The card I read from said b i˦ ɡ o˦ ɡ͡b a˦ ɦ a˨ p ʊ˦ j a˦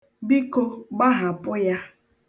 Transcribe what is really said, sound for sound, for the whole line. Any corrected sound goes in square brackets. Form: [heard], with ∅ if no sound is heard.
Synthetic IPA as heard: b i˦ [k] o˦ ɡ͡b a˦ ɦ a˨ p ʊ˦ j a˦